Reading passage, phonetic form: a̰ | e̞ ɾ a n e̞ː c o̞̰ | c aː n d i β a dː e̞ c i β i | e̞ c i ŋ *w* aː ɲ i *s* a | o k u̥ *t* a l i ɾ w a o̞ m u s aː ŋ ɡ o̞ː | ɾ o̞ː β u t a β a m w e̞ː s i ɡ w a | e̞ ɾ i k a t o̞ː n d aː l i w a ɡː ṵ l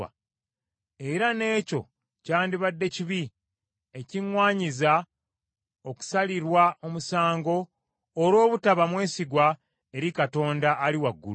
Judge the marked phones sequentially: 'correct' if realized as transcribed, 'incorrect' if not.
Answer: correct, incorrect: z, incorrect: s

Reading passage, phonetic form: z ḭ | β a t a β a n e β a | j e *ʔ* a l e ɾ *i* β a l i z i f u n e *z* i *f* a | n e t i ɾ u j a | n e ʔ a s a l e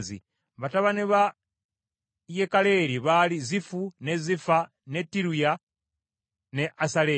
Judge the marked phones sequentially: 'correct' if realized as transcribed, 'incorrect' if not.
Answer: incorrect: k, correct, correct, correct

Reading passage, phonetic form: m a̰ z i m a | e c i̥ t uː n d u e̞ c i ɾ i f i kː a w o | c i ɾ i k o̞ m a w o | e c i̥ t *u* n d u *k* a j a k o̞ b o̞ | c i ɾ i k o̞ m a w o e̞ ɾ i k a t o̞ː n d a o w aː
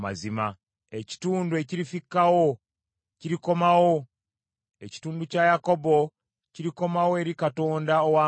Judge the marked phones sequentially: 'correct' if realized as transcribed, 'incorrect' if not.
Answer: incorrect: uː, incorrect: c

